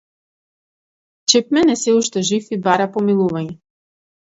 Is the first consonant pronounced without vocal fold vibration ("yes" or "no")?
yes